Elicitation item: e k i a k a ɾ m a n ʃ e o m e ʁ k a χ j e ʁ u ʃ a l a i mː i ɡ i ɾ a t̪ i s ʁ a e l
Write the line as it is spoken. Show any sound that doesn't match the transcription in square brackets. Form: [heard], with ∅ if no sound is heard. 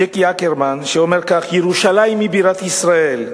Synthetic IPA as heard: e k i a k [e] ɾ m a n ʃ e o m e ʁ k a χ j e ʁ u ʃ a l a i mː i [b] i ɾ a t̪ i s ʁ a e l